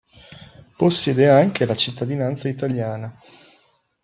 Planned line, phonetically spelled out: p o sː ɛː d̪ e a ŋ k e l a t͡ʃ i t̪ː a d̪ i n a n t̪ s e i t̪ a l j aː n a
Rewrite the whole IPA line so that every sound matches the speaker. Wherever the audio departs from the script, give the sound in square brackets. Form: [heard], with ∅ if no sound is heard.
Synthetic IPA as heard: p o sː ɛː d̪ e a ŋ k e l a t͡ʃ i t̪ː a d̪ i n a n t̪ s [a] i t̪ a l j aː n a